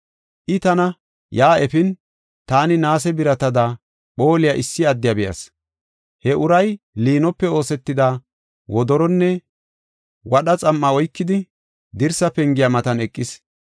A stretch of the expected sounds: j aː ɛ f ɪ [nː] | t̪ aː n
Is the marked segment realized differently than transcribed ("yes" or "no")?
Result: yes